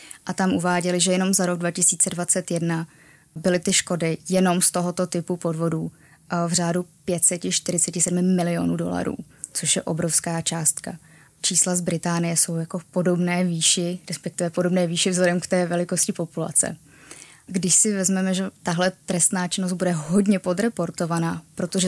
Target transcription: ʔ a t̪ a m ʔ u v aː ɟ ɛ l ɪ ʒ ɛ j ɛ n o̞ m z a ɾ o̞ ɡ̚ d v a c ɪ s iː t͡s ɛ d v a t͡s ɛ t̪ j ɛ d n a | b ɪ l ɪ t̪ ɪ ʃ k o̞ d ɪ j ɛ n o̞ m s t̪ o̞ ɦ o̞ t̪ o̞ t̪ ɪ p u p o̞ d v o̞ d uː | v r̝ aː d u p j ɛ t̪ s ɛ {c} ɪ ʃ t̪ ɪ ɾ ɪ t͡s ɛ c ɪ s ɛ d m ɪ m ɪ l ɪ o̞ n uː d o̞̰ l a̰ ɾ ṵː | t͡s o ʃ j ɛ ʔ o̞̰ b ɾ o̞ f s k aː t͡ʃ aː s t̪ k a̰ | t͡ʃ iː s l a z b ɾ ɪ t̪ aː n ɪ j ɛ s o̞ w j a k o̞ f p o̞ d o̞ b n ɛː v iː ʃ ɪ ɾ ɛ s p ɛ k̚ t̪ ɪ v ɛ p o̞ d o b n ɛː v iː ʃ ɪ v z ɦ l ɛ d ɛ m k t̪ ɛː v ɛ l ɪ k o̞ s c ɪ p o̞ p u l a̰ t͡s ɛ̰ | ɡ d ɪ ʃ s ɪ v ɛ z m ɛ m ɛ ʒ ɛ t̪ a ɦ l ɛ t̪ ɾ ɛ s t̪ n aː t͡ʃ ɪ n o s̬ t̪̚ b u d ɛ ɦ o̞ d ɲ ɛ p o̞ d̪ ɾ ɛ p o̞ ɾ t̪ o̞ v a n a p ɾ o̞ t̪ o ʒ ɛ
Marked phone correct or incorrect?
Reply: correct